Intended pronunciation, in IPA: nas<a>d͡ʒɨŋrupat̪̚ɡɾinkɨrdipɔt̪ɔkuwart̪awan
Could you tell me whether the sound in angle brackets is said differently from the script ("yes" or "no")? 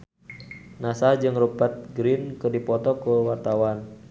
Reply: no